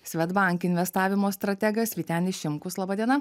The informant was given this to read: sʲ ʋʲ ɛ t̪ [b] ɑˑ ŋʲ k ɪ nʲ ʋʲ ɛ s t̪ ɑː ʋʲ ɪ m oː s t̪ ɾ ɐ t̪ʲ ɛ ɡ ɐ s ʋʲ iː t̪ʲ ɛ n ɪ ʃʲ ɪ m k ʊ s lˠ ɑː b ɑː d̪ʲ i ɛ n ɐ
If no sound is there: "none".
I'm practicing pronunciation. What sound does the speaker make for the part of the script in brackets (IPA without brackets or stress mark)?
b